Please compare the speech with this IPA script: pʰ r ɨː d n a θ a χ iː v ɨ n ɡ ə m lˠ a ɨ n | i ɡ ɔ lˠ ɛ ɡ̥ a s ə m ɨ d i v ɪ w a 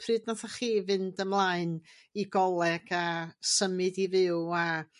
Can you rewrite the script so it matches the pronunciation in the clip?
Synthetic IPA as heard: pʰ r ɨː d n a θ a χ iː v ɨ n d ə m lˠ a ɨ n | i ɡ ɔ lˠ ɛ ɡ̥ a s ə m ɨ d i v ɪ w a